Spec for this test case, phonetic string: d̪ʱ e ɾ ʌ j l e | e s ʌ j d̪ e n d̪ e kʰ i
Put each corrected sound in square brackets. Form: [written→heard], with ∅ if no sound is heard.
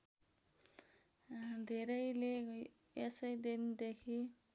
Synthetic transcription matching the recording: d̪ʱ e ɾ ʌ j l e | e s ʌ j d̪ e n d̪ e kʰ i